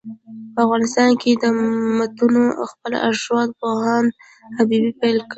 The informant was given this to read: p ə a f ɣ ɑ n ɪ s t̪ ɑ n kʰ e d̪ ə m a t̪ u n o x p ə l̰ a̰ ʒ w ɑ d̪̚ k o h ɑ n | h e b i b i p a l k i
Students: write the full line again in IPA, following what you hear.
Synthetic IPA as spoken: p ə a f ɣ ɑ n ɪ s t̪ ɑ n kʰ e d̪ ə m a t̪ u n o x p ə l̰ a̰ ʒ w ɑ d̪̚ p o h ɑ n | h a b i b i p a l k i